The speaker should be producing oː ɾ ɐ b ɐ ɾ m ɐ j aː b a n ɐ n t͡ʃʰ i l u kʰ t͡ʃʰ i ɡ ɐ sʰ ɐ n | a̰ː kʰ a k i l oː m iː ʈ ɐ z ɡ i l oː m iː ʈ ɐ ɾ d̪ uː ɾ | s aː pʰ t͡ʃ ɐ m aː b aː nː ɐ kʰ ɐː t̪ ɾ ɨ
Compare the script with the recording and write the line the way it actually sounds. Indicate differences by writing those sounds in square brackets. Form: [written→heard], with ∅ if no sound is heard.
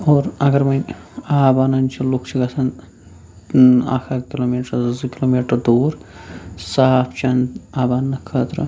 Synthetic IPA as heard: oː ɾ ɐ [b→ɡ] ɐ ɾ m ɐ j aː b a n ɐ n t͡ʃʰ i l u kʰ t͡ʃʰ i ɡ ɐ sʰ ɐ n | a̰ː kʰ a k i l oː m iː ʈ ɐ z [ɡ→k] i l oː m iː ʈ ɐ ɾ d̪ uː ɾ | s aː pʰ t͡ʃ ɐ [m→n] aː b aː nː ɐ kʰ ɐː t̪ ɾ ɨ